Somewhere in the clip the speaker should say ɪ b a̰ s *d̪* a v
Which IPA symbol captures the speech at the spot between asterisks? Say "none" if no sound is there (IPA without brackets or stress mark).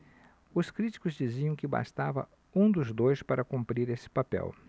t̪